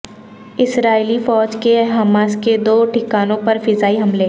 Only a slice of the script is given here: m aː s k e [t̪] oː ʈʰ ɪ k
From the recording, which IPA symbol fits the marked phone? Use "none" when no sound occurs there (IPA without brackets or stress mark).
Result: d̪